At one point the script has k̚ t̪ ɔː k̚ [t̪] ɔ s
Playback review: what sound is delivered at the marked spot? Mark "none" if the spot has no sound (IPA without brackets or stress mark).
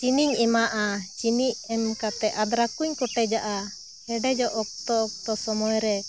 t̪